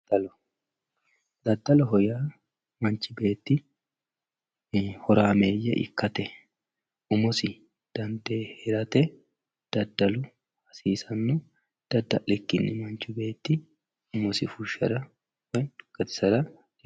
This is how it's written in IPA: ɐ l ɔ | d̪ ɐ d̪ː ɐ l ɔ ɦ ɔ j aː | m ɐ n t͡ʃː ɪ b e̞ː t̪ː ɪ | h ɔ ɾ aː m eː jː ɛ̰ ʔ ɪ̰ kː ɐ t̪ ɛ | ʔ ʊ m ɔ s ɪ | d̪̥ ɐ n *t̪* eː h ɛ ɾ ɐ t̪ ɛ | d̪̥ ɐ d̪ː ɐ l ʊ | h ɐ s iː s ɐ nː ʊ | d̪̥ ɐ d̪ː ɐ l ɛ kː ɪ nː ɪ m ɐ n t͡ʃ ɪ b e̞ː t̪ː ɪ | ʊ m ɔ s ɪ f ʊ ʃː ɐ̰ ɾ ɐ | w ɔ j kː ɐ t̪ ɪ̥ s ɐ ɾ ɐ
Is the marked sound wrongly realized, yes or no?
yes